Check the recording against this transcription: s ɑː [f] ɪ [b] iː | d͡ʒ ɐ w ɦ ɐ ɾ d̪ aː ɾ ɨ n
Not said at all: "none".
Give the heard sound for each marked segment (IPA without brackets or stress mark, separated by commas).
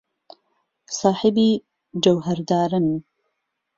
ħ, b